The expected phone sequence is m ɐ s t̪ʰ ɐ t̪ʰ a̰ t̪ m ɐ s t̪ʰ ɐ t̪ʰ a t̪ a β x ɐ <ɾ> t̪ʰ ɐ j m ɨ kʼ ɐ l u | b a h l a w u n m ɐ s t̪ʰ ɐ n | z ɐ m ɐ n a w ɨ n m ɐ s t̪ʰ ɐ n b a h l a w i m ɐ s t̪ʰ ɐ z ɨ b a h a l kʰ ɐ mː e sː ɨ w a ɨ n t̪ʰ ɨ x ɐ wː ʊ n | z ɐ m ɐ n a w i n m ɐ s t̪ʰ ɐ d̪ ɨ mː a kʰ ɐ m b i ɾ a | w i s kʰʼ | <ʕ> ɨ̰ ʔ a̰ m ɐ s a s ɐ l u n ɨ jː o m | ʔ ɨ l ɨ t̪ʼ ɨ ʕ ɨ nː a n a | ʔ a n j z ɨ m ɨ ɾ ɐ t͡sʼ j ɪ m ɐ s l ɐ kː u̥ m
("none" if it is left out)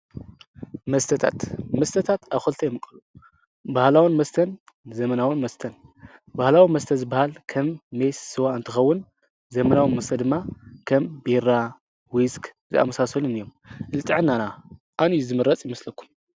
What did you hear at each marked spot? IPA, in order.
l, z

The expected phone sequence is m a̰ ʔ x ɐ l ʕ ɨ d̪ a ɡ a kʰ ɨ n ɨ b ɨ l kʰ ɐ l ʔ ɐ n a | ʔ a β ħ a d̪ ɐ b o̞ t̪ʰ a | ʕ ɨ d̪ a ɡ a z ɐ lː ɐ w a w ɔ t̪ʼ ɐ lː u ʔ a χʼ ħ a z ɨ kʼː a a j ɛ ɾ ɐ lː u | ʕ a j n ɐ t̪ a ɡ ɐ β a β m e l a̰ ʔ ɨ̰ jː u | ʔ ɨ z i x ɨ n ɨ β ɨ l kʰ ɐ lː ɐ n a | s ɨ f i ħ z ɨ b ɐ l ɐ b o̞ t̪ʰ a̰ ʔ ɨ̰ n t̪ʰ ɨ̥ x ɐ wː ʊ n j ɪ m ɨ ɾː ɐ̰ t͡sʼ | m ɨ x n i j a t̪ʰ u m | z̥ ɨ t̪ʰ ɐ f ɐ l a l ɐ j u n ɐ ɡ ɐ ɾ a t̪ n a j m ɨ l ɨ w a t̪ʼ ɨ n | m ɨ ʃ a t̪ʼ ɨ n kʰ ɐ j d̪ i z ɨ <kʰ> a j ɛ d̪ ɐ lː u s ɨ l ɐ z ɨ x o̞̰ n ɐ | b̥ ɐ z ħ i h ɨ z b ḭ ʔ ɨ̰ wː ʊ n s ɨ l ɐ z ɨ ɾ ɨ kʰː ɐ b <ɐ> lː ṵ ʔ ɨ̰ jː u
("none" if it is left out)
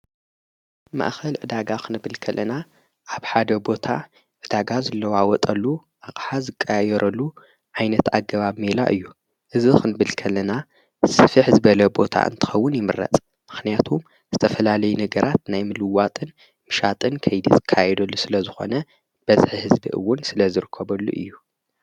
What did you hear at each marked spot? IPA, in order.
kʰ, ɐ

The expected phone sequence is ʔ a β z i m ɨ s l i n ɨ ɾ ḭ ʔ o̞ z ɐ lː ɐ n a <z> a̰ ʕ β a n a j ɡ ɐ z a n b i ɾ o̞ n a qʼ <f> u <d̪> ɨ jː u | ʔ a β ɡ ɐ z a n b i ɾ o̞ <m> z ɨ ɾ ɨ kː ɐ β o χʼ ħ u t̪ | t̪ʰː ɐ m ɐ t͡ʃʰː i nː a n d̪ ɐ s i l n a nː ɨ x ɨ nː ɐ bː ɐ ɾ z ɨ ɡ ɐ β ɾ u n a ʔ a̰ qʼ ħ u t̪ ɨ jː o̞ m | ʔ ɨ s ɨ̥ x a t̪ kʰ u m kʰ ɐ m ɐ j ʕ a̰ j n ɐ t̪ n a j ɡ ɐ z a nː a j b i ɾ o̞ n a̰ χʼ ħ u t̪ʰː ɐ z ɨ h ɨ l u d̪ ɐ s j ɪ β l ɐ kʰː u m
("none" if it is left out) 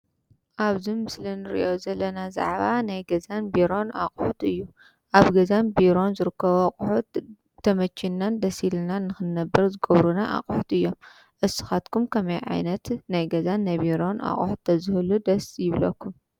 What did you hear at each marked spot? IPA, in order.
z, ħ, t̪, n

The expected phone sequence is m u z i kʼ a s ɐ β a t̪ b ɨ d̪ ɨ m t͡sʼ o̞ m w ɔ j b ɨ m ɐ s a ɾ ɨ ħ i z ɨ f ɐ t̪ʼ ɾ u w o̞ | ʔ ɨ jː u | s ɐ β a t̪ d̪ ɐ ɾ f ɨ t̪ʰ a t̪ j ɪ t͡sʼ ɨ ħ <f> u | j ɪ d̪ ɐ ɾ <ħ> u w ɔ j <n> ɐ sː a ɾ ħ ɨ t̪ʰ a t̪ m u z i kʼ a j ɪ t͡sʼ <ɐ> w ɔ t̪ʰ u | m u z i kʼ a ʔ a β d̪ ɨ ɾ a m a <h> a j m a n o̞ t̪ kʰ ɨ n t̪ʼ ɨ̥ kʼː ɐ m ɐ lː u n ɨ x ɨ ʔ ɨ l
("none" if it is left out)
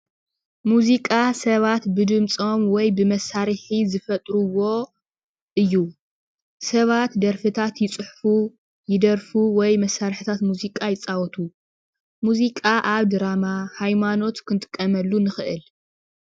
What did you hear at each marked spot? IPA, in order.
f, f, m, a, h

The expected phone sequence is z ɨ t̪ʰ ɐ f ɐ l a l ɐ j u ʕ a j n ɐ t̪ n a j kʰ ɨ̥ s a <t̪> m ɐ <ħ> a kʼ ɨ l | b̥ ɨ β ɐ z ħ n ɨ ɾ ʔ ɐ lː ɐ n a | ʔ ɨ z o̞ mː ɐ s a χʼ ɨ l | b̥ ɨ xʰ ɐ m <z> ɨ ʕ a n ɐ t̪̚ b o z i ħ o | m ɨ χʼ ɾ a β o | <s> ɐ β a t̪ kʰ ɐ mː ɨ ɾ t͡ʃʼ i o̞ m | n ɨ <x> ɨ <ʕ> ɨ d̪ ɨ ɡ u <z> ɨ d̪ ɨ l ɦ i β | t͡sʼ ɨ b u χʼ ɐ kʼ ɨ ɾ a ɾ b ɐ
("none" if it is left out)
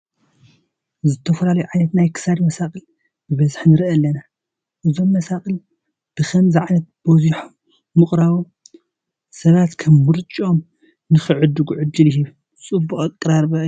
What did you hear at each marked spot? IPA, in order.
d̪, s, z, s, x, ʕ, ʕ

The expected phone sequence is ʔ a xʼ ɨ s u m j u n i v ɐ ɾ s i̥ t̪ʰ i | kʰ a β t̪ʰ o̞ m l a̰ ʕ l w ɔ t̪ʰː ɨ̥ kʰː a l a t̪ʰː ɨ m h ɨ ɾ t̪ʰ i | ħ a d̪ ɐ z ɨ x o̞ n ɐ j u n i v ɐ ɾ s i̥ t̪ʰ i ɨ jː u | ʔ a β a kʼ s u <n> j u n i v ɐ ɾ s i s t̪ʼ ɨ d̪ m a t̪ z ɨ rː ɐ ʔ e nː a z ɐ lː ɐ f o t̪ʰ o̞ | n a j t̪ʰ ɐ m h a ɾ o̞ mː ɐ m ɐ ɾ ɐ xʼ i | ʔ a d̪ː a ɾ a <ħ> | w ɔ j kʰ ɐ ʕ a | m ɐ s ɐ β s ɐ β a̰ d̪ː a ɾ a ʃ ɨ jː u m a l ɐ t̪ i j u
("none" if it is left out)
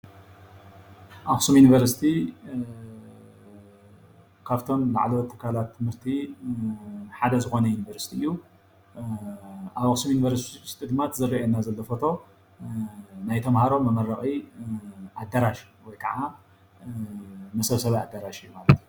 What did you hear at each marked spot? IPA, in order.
m, ʃ

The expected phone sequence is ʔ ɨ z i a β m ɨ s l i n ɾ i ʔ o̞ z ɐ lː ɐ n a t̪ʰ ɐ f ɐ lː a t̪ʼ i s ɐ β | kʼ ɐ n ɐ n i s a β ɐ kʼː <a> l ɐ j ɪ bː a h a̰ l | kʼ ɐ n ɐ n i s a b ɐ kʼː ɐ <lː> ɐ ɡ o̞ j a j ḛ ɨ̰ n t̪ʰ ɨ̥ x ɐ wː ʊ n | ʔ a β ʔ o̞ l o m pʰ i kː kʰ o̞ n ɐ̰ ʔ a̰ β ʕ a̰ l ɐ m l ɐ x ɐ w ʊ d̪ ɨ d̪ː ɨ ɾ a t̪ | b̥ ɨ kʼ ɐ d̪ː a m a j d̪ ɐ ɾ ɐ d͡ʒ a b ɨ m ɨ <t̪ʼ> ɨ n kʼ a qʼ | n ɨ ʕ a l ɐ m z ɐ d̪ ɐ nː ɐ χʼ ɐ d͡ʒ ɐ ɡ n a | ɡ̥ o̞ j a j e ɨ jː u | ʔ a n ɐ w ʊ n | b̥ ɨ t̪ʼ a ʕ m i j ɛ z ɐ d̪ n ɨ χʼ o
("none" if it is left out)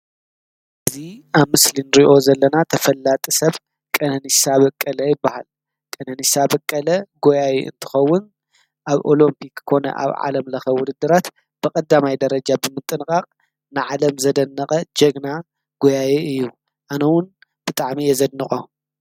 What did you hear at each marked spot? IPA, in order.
ɐ, l, t̪ʼ

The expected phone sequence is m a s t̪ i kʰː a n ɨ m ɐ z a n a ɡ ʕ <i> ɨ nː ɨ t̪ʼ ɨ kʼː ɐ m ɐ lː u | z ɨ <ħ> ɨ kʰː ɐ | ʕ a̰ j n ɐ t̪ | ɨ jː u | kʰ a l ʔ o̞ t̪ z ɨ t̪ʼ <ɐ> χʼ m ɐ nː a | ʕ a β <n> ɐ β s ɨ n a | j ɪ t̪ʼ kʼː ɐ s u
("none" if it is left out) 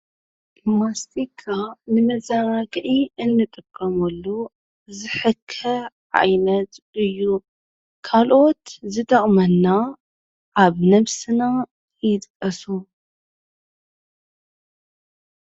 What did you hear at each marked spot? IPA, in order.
i, ħ, ɐ, n

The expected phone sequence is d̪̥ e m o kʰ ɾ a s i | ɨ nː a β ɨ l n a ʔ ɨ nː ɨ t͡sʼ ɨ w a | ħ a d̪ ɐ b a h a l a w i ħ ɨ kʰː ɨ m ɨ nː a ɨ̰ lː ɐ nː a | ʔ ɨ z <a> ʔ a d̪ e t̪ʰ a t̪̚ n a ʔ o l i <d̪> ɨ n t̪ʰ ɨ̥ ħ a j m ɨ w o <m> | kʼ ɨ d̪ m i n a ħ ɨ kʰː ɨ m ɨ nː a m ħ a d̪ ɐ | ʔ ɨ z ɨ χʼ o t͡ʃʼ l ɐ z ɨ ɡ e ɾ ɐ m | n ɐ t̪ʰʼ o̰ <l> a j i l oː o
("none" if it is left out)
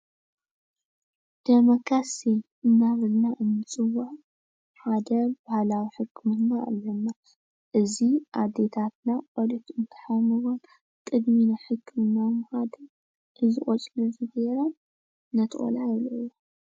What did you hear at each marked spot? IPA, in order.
i, t̪, n, l

